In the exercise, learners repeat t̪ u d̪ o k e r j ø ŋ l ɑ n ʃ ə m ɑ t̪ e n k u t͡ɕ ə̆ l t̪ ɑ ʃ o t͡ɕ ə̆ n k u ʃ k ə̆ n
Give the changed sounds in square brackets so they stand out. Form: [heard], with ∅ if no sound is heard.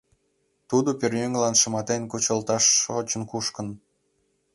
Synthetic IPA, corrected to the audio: t̪ u d̪ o [p] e r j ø ŋ l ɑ n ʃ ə m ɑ t̪ e n k u t͡ɕ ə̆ l t̪ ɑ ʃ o t͡ɕ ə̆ n k u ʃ k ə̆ n

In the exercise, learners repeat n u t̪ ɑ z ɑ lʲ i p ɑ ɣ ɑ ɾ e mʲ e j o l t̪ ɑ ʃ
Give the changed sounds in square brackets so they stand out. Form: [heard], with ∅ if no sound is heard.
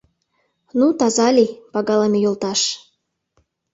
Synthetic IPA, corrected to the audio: n u t̪ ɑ z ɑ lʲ i p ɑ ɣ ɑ [l] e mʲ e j o l t̪ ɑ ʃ

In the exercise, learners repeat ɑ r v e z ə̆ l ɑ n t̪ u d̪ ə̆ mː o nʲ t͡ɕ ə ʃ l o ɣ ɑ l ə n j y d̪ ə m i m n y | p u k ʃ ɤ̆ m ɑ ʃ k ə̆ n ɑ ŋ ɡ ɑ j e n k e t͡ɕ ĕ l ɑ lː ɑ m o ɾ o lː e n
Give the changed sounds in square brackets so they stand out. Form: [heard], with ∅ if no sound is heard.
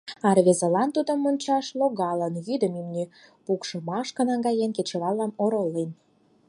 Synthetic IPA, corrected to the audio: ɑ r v e z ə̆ l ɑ n t̪ u d̪ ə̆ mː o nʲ t͡ɕ [ɑ] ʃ l o ɣ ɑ l ə n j y d̪ ə m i m n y | p u k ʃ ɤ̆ m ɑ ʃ k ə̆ n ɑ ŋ ɡ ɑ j e n k e t͡ɕ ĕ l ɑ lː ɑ m o ɾ o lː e n

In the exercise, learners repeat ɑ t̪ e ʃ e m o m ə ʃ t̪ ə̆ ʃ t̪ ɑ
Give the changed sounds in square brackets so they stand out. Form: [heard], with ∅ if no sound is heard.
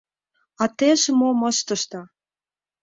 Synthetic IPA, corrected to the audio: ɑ t̪ e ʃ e m o m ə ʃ t̪ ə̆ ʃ t̪ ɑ

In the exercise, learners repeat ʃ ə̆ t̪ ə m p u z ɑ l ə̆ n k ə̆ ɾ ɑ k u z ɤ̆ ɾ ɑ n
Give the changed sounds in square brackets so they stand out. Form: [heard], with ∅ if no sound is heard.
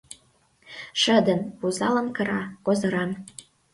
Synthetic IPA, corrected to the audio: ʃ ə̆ [d̪] ə [n] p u z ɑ l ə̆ n k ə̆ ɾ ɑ k [o] z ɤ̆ ɾ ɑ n

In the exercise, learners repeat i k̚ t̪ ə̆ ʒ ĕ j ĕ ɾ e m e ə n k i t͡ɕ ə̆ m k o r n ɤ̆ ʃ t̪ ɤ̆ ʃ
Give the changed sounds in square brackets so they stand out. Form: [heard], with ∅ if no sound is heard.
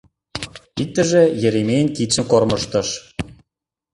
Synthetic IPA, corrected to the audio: i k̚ t̪ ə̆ ʒ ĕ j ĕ ɾ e m e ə n k i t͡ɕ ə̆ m k o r [m] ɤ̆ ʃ t̪ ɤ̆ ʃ

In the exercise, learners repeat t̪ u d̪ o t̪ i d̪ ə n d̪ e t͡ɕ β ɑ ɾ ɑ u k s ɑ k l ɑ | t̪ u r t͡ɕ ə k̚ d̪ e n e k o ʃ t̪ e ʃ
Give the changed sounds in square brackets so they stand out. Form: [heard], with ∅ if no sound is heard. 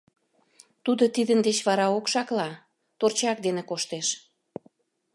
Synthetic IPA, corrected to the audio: t̪ u d̪ o t̪ i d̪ ə n d̪ e t͡ɕ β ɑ ɾ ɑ [o] k [ʃ] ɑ k l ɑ | t̪ [o] r t͡ɕ [ɑ] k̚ d̪ e n e k o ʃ t̪ e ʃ

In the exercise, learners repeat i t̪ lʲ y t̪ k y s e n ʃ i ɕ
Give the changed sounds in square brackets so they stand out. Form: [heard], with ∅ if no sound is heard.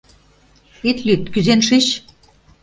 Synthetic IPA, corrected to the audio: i t̪ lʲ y t̪ k y [z] e n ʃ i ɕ

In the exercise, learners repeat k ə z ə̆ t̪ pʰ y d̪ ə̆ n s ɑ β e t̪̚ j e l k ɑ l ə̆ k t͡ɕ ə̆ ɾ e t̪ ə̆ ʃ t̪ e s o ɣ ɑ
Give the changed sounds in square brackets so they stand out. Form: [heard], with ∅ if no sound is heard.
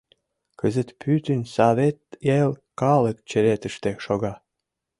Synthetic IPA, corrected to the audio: k ə z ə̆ t̪ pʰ y [t̪] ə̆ n s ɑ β e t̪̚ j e l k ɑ l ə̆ k t͡ɕ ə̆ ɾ e t̪ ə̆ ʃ t̪ e [ʃ] o ɣ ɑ

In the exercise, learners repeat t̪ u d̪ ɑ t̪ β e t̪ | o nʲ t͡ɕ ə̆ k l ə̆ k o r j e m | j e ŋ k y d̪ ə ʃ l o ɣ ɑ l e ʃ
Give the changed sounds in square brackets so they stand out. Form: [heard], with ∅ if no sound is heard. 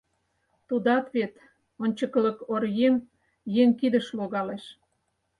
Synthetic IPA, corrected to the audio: t̪ u d̪ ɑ t̪ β e t̪ | o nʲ t͡ɕ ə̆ k l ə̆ k o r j e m | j e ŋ k [i] d̪ ə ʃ l o ɣ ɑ l e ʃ

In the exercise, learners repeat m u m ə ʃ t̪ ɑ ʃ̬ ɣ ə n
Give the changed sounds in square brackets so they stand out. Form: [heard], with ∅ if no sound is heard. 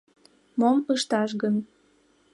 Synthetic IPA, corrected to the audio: m [o] m ə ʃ t̪ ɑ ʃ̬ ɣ ə n

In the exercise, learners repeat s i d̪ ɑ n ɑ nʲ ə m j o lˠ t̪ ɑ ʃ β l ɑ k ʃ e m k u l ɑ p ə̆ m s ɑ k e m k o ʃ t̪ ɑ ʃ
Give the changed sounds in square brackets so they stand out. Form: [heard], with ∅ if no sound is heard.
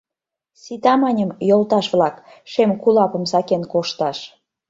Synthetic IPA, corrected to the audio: s i [t̪] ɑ [m] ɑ nʲ ə m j o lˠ t̪ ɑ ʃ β l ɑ k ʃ e m k u l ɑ p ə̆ m s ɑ k e [n] k o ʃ t̪ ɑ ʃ

